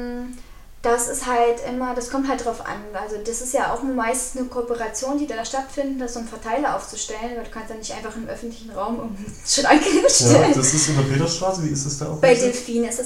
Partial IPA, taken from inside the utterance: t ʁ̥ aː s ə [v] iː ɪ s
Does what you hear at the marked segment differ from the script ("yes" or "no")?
no